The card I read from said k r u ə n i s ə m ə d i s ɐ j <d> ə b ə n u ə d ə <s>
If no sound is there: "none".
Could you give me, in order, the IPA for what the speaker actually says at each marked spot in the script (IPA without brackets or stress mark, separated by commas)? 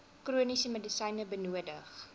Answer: n, χ